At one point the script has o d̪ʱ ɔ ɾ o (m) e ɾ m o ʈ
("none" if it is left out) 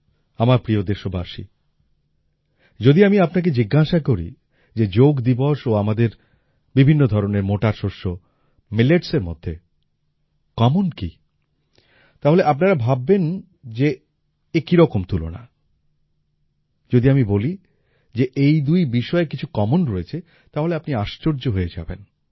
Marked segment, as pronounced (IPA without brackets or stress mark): n